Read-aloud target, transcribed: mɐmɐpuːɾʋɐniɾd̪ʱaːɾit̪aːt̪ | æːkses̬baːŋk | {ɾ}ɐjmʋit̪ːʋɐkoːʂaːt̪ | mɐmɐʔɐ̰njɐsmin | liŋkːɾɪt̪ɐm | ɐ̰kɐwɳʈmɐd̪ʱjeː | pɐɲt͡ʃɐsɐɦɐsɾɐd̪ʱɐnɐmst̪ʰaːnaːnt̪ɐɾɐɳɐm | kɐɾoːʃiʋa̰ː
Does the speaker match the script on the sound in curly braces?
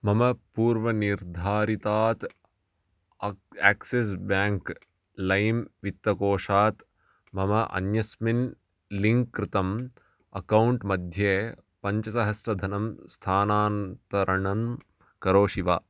no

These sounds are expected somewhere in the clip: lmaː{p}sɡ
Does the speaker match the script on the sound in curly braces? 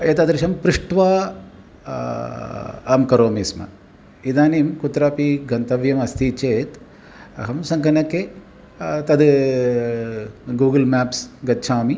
yes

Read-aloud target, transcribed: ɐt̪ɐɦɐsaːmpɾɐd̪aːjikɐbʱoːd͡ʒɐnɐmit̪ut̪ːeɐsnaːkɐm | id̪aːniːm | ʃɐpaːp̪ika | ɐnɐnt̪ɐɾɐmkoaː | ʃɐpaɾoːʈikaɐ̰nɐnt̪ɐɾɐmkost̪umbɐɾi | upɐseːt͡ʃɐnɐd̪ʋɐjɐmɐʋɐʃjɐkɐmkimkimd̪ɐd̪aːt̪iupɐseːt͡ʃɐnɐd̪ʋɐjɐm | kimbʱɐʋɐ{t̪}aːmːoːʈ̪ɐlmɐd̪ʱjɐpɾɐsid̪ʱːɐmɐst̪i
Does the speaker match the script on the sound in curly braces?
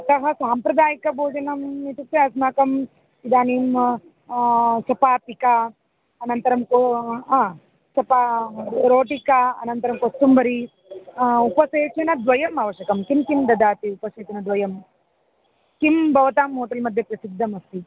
yes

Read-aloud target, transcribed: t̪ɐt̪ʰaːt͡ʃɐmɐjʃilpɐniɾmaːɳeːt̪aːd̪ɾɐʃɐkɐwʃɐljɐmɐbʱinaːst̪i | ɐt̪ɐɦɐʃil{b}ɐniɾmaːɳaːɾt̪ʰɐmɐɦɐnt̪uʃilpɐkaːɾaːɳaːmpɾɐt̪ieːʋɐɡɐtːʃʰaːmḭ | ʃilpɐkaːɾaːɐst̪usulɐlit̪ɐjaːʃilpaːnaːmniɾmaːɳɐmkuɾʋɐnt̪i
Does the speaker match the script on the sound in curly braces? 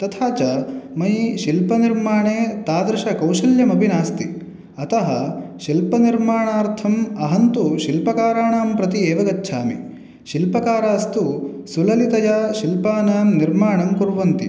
no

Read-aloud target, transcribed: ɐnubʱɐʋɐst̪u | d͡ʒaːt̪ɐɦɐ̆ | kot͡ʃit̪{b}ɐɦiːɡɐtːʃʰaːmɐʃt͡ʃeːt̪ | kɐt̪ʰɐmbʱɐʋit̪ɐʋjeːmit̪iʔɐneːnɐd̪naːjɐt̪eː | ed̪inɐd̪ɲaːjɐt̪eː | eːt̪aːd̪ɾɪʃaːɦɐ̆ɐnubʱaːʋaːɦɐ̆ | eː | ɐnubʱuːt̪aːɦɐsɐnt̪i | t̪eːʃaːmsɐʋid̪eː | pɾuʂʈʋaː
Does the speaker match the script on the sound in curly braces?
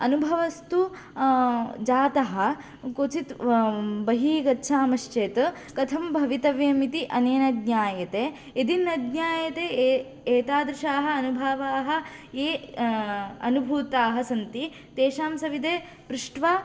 yes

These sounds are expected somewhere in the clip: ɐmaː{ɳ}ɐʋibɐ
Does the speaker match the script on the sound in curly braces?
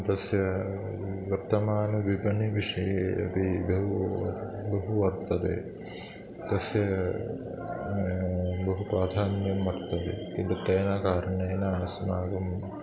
no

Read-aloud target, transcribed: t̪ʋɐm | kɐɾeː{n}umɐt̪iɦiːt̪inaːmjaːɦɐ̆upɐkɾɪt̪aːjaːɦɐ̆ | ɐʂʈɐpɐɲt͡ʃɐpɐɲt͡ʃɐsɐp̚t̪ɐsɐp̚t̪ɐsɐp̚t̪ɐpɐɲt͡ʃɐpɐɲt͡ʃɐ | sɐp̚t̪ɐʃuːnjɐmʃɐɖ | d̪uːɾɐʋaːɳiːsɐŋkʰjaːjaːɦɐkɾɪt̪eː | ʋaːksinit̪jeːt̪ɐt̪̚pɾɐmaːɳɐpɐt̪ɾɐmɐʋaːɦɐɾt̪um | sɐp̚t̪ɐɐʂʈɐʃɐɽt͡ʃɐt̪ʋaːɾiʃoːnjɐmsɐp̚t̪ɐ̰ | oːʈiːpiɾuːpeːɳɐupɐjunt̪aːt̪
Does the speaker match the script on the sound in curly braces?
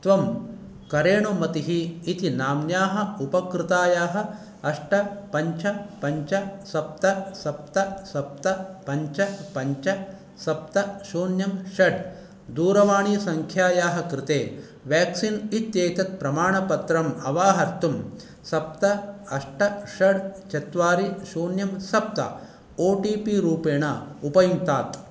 no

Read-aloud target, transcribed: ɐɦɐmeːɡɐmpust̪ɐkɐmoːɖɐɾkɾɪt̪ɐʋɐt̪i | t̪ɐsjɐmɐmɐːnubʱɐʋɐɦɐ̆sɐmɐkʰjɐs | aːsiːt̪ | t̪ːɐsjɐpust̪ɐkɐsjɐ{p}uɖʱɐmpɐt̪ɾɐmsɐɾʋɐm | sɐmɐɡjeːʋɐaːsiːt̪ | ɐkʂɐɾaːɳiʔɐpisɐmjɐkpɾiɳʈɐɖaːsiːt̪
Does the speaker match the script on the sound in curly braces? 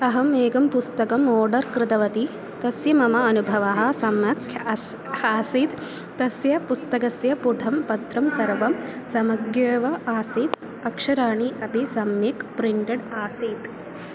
yes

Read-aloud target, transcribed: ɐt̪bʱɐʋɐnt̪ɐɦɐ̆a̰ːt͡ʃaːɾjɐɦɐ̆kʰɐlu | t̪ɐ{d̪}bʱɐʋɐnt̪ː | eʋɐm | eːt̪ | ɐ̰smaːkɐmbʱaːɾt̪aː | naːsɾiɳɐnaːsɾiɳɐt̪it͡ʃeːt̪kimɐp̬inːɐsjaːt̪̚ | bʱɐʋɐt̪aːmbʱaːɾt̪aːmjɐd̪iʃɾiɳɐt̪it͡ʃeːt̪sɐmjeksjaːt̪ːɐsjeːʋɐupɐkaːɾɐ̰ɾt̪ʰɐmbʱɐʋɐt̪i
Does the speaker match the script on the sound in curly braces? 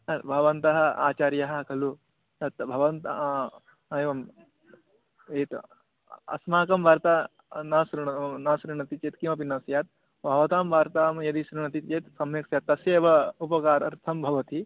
no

